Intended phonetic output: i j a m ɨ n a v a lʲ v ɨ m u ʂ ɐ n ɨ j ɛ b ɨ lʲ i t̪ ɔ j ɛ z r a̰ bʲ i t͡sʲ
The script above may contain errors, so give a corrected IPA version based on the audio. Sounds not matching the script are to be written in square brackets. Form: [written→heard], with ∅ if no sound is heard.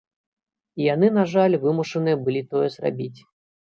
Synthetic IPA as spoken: i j a [m→n] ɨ n a [v→ʐ] a lʲ v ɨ m u ʂ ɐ n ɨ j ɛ b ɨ lʲ i t̪ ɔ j ɛ z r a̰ bʲ i t͡sʲ